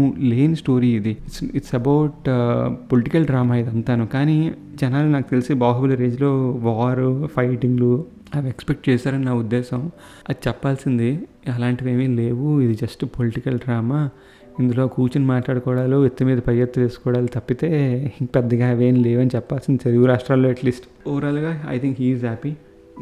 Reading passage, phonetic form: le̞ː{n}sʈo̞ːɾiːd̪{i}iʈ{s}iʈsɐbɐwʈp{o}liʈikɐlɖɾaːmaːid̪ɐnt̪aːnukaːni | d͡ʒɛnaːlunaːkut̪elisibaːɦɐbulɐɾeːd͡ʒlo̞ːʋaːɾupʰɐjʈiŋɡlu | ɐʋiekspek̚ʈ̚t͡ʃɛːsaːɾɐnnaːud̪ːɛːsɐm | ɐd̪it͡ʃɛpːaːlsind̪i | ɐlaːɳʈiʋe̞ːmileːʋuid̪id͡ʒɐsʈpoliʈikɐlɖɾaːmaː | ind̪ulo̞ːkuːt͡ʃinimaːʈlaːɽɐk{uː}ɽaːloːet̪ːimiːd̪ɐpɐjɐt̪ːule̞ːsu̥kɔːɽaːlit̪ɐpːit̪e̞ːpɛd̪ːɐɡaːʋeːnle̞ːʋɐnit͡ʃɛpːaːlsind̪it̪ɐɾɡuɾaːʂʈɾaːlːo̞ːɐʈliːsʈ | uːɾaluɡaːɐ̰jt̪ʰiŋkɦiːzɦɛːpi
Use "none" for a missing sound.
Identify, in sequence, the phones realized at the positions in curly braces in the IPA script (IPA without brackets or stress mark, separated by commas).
n, i, s, o, ɔː